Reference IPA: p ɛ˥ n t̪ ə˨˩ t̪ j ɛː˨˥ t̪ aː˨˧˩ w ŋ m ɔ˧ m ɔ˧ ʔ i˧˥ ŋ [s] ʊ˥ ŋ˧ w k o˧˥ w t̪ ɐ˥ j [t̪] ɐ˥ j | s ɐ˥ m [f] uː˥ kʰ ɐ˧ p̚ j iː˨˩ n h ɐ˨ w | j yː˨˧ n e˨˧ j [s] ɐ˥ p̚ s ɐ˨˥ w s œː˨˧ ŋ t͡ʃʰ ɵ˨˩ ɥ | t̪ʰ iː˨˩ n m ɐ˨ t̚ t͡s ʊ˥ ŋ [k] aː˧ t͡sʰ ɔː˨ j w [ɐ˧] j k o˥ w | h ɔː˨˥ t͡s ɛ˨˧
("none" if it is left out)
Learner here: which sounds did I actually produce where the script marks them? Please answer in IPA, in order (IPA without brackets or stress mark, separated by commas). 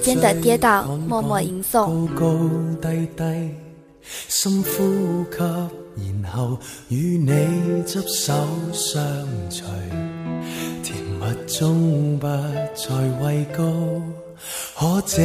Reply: s, t̪, f, t͡s, p, ɐ˧